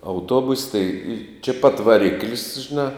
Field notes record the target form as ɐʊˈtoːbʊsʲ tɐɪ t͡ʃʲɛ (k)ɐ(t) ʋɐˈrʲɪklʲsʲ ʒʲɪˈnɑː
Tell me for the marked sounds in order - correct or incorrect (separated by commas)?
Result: incorrect, correct